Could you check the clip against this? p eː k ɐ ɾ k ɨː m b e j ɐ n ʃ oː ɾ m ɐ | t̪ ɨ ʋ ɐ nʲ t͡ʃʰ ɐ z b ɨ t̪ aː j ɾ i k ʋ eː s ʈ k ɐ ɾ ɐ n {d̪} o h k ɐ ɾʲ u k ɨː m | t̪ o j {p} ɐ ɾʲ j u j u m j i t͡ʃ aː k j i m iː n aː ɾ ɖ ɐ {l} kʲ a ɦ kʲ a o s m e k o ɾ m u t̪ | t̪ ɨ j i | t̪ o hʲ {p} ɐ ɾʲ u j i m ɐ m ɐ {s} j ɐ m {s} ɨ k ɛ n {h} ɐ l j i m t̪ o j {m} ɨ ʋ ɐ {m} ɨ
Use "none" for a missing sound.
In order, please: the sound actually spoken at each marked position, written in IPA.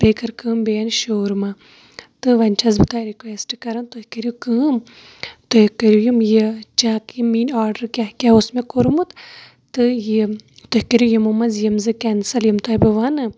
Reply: t̪, k, ɾ, k, z, z, s, b, n

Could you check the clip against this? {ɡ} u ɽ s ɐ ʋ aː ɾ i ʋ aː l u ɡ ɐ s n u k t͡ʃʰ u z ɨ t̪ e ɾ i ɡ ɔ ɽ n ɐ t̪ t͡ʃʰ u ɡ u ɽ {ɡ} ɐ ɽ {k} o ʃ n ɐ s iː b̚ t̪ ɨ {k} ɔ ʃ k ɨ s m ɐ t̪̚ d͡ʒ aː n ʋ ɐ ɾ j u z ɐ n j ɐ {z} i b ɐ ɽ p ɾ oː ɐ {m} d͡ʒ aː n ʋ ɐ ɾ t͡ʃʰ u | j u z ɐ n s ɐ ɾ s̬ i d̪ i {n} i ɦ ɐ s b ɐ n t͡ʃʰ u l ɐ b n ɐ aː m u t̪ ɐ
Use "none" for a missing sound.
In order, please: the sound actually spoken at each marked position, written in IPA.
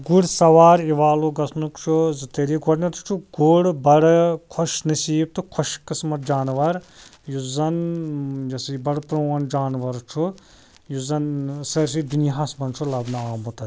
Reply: ɡ, b, kʰ, kʰ, s, n, n

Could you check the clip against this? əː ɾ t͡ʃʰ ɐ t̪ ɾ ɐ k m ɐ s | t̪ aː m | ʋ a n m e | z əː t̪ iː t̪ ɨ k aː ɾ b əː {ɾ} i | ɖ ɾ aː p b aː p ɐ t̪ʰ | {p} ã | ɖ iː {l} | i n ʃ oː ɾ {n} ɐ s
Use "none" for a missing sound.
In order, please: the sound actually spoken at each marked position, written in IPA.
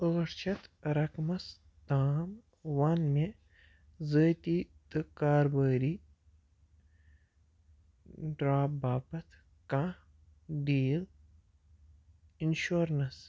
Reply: ɾ, k, l, n

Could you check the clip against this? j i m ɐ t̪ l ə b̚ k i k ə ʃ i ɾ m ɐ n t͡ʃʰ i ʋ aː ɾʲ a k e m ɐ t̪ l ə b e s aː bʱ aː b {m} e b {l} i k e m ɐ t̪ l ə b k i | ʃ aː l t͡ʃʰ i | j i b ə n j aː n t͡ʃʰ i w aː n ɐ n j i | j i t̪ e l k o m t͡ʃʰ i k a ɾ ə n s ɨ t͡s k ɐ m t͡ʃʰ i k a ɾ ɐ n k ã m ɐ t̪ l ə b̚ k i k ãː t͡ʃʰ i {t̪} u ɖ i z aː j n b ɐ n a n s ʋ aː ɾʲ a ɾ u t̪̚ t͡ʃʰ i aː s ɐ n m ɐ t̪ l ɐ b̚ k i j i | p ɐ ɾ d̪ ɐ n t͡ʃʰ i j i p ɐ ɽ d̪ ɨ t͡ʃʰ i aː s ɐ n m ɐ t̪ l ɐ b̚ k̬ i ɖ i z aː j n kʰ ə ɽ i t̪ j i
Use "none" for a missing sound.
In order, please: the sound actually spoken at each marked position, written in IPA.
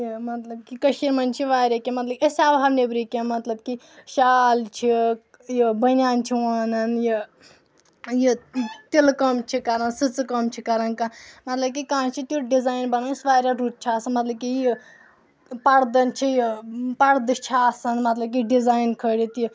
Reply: n, ɾ, t̪

